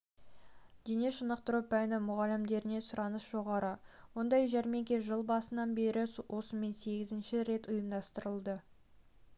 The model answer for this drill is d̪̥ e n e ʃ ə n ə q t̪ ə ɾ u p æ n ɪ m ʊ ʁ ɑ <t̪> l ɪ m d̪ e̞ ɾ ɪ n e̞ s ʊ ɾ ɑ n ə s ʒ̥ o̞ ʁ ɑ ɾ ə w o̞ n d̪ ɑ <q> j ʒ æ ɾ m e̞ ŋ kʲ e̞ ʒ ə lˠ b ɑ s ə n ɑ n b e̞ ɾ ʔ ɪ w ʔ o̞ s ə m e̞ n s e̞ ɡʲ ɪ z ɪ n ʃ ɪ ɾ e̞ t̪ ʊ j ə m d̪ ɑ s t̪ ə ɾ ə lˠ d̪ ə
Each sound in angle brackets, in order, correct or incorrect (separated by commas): incorrect, incorrect